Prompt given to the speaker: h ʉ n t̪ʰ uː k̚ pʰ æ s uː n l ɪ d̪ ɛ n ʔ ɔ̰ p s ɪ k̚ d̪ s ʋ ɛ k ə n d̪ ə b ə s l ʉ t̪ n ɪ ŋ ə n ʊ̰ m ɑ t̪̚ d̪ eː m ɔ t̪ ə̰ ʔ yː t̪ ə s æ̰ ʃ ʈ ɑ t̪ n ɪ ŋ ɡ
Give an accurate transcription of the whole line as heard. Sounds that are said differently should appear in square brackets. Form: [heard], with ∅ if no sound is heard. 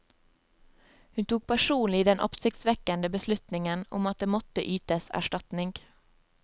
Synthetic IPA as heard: h ʉ n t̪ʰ uː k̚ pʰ æ [ʃ] uː n l ɪ d̪ ɛ n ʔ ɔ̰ p s ɪ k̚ [t̪] s ʋ ɛ k ə n d̪ ə b ə s l ʉ t̪ n ɪ ŋ ə n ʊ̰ m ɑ t̪̚ d̪ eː m ɔ t̪ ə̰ ʔ yː t̪ ə s æ̰ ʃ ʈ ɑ t̪ n ɪ ŋ ɡ

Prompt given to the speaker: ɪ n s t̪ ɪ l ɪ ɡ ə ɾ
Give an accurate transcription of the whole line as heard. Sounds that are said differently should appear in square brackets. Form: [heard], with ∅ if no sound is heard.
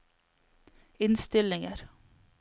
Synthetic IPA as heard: ɪ n s t̪ ɪ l ɪ [ŋ] ə ɾ

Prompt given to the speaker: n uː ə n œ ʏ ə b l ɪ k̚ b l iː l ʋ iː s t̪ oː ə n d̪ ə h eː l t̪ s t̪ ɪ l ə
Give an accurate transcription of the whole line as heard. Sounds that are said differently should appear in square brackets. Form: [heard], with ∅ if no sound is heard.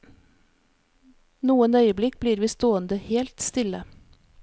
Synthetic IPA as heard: n uː ə n œ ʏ ə b l ɪ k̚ b l iː [ɾ] ʋ iː s t̪ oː ə n d̪ ə h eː l t̪ s t̪ ɪ l ə

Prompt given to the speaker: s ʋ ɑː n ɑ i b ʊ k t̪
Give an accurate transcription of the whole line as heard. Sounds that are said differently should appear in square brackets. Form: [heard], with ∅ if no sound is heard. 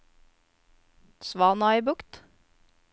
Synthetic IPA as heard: s ʋ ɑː n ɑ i b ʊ k t̪

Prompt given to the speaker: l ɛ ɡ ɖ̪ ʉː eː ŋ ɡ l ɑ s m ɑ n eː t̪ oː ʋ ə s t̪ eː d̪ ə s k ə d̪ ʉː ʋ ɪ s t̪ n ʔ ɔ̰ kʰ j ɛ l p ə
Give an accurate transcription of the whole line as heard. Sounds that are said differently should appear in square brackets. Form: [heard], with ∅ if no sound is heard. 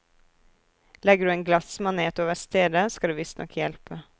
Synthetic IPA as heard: l ɛ ɡ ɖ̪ ʉː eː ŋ ɡ l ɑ s m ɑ n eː t̪ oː ʋ ə s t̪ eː d̪ ə s k [ɑ] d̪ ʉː ʋ ɪ s t̪ n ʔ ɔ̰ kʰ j ɛ l p ə

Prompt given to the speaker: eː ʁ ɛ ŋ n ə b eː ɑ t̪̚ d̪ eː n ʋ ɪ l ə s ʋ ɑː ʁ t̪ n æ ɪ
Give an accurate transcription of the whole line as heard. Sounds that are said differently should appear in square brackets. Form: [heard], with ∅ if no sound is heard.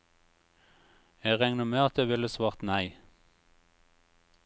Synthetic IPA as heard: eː ʁ ɛ ŋ n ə [m] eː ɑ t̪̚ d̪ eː [∅] ʋ ɪ l ə s ʋ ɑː ʁ t̪ n æ ɪ

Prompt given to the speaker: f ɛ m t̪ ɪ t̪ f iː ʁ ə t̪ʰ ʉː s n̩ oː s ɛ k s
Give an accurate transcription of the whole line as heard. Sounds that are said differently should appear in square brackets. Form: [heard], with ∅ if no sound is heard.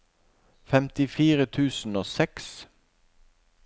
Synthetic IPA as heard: f ɛ m t̪ ɪ [∅] f iː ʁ ə t̪ʰ ʉː s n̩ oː s ɛ k s

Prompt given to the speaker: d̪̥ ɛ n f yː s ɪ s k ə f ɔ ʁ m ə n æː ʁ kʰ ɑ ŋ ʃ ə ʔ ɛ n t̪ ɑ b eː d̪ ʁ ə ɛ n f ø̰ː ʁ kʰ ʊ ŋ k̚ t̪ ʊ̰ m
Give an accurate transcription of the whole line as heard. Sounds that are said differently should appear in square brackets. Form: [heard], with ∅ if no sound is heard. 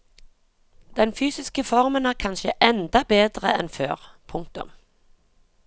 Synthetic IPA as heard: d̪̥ ɛ n f yː s ɪ s k ə f ɔ ʁ m ə n æː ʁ kʰ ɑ [n] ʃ ə ʔ ɛ n [d̪] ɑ b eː d̪ ʁ ə ɛ n f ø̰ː ʁ [pʰ] ʊ ŋ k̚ t̪ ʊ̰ m

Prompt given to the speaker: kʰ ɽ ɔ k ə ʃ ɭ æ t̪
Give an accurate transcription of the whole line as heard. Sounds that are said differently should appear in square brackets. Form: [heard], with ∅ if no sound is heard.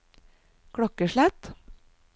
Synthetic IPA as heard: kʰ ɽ ɔ k ə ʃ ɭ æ t̪

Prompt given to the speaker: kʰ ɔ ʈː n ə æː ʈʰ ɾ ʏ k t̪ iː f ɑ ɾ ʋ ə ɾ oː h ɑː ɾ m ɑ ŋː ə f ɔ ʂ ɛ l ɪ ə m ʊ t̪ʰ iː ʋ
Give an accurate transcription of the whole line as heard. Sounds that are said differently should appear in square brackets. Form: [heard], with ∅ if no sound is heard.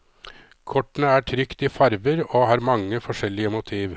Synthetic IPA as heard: kʰ ɔ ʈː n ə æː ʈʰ ɾ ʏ k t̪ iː f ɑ ɾ ʋ ə ɾ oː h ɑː ɾ m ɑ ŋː ə f ɔ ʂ ɛ l ɪ ə m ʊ t̪ʰ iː ʋ

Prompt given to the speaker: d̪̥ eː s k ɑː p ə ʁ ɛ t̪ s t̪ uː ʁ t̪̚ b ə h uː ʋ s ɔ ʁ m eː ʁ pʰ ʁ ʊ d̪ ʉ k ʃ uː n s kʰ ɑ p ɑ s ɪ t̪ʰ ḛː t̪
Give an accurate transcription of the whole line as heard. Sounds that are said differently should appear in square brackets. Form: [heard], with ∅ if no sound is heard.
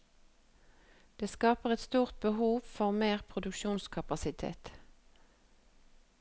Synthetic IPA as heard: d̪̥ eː s k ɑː p ə ʁ ɛ t̪ s t̪ uː ʁ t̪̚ b ə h uː ʋ [f] ɔ ʁ m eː ʁ pʰ ʁ ʊ d̪ ʉ k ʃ uː n s kʰ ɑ p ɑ s ɪ t̪ʰ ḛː t̪

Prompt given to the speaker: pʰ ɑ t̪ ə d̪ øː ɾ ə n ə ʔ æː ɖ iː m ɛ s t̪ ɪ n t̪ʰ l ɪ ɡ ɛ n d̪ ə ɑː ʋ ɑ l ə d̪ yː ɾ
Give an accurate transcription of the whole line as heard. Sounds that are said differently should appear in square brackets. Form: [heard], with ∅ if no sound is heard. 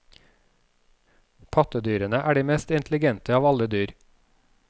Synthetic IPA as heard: pʰ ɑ t̪ ə d̪ [yː] ɾ ə n ə ʔ æː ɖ iː m ɛ s t̪ ɪ n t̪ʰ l ɪ ɡ ɛ n [t̪] ə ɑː ʋ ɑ l ə d̪ yː ɾ

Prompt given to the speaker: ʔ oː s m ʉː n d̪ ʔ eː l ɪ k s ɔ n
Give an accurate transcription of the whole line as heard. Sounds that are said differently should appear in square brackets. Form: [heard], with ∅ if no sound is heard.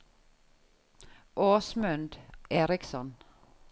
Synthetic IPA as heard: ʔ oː s m [ʉ] n d̪ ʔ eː [ɾ] ɪ k s ɔ n

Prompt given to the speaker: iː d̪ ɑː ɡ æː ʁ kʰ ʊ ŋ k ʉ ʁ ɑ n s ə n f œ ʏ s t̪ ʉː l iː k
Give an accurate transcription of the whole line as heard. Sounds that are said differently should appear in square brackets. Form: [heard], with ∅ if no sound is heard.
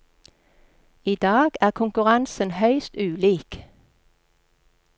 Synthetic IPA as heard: iː d̪ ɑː ɡ æː ʁ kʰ ʊ ŋ k ʉ ʁ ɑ n s ə n [h] œ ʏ s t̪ ʉː l iː k

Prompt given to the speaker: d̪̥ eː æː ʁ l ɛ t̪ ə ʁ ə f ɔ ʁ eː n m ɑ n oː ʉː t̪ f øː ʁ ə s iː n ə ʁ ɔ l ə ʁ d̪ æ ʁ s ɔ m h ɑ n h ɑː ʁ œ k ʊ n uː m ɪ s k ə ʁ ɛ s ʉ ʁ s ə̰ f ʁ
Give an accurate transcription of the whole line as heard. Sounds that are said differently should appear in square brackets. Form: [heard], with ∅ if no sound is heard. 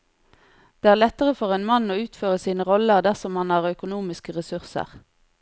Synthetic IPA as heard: d̪̥ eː æː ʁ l ɛ t̪ ə ʁ ə f ɔ ʁ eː n m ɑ n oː ʉː t̪ f øː ʁ ə s iː n ə ʁ ɔ l ə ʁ d̪ æ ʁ s ɔ m h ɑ n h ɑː ʁ œ k ʊ n uː m ɪ s k ə ʁ ɛ s ʉ ʁ s ə̰ [∅] ʁ

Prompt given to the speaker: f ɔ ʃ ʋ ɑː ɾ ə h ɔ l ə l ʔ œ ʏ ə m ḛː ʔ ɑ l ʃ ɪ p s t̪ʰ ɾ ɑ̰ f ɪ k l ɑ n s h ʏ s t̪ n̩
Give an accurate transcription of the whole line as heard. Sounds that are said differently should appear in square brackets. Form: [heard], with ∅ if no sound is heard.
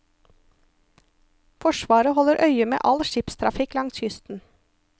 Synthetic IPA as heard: f ɔ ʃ ʋ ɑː ɾ ə h ɔ l ə [ɾ] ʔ œ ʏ ə m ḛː ʔ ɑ l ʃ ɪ p s t̪ʰ ɾ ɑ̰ f ɪ k l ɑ [ŋ] s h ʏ s t̪ n̩

